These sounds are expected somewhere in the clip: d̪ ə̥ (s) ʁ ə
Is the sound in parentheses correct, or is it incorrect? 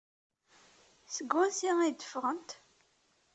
incorrect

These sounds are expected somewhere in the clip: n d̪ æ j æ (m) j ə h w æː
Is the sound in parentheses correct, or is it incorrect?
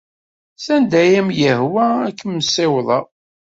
correct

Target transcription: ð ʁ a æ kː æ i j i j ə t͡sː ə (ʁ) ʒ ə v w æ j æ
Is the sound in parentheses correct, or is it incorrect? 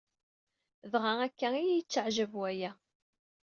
incorrect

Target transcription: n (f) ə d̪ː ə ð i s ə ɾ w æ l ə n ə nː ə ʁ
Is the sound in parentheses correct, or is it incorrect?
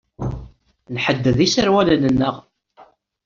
incorrect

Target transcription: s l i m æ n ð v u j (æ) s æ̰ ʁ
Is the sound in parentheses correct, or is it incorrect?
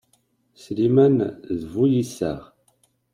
incorrect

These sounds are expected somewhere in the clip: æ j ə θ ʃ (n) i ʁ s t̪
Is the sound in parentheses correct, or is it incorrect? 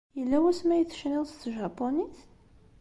correct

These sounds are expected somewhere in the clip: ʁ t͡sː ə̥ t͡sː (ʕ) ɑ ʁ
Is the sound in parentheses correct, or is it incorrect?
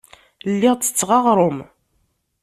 incorrect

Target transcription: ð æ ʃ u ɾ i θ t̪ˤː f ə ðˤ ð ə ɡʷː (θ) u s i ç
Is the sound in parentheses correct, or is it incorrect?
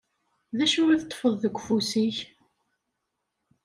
incorrect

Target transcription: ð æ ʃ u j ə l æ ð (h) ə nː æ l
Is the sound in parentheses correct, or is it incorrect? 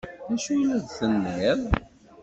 incorrect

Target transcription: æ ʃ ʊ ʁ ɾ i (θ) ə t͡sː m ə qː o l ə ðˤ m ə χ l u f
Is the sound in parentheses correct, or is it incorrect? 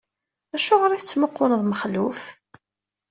correct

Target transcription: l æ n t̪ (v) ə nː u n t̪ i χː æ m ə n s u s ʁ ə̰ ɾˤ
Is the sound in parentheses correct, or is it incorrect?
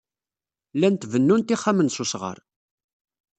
correct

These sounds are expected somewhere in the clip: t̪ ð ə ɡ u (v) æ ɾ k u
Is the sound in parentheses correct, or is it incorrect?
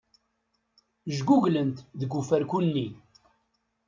incorrect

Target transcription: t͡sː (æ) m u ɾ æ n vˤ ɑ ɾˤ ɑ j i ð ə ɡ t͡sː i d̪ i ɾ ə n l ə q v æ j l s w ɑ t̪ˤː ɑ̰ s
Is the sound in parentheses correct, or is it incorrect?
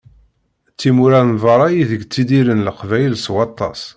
incorrect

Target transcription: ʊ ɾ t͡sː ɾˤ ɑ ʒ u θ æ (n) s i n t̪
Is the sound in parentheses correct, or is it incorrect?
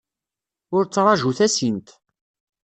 incorrect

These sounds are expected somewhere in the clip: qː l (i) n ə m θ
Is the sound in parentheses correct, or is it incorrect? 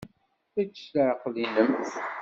correct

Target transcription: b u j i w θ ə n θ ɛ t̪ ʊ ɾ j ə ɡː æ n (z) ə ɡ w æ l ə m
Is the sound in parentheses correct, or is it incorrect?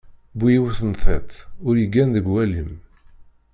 incorrect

